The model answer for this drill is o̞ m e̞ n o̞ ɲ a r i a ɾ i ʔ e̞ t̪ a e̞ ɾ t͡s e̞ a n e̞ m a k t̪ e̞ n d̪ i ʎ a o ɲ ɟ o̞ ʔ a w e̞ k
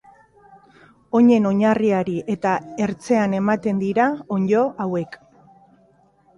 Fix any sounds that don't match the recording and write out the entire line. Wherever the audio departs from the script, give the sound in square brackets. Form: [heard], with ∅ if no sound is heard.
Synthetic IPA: o̞ [ɲ] e̞ n o̞ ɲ a r i a ɾ i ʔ e̞ t̪ a e̞ ɾ t͡s e̞ a n e̞ m a [∅] t̪ e̞ n d̪ i [ɾ] a o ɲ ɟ o̞ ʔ a w e̞ k